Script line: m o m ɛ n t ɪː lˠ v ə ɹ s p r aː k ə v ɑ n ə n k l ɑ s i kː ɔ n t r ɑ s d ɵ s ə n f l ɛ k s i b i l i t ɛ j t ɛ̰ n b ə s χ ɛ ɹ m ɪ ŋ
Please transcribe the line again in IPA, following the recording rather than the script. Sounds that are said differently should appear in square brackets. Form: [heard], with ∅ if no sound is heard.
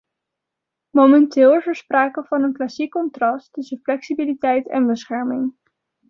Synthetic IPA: m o m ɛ n t ɪː lˠ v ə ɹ s p r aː k ə v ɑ n ə n k l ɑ s i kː ɔ n t r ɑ s [t] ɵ s ə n f l ɛ k s i b i l i t ɛ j t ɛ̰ n b ə s χ ɛ ɹ m ɪ ŋ

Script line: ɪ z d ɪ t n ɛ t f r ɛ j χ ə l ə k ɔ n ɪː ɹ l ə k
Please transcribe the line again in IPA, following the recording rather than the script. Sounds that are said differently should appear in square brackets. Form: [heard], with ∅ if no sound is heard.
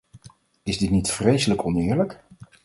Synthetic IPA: ɪ z d ɪ t n [i] t f r [e] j [s] ə l ə k ɔ n ɪː ɹ l ə k

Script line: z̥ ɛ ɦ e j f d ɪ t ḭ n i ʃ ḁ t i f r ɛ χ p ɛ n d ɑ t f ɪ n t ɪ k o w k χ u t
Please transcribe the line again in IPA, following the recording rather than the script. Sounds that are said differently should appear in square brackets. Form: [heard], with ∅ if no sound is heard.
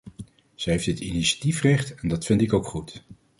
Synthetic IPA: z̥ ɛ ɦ e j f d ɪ t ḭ n i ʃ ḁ t i f r ɛ χ [t] ɛ n d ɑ t f ɪ n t ɪ k o w k χ u t

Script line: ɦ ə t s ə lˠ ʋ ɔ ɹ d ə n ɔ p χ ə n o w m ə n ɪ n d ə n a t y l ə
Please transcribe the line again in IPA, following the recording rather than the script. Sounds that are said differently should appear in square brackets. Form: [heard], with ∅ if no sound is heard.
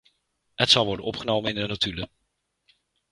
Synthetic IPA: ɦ ə t s [ɑ] lˠ ʋ ɔ ɹ d ə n ɔ p χ ə n o w m ə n ɪ n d ə n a t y l ə

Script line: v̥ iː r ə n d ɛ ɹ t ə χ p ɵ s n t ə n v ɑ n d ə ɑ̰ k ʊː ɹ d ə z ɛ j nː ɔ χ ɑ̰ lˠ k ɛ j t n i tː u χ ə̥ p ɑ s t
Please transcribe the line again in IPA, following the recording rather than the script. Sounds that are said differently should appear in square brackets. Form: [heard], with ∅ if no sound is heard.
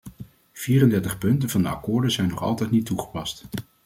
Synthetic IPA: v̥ iː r ə n d ɛ ɹ t ə χ p ɵ [∅] n t ə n v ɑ n d ə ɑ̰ k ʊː ɹ d ə z ɛ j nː ɔ χ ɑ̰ lˠ [t] ɛ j t n i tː u χ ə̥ p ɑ s t

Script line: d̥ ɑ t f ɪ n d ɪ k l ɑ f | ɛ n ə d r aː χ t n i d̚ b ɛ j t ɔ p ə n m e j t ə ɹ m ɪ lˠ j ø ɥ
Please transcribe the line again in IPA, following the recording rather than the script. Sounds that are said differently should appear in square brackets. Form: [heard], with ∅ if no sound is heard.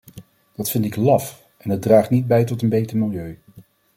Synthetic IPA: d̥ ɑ t f ɪ n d ɪ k l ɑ f | ɛ n ə d r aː χ t n i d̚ b ɛ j t ɔ [t] ə n [b] e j t ə ɹ m ɪ lˠ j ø ɥ

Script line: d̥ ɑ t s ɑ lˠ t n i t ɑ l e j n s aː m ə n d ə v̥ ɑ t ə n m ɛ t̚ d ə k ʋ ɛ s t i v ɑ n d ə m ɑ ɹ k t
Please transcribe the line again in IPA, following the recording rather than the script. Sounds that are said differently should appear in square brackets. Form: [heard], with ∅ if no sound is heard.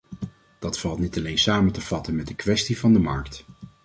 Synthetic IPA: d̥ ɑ t [f] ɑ lˠ t n i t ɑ l e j n s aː m ə n [t] ə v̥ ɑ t ə n m ɛ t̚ d ə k ʋ ɛ s t i v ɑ n d ə m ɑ ɹ k t

